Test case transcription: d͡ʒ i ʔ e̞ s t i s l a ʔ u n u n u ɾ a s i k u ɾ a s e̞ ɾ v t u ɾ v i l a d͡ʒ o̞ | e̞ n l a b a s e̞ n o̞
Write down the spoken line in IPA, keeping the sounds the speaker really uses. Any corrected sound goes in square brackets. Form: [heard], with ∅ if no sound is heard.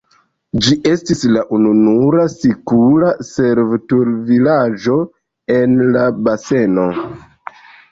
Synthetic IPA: d͡ʒ i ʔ e̞ s t i s l a ʔ u n u n u ɾ a s i k u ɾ a s e̞ ɾ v t u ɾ v i l a d͡ʒ o̞ | e̞ n l a b a s e̞ n o̞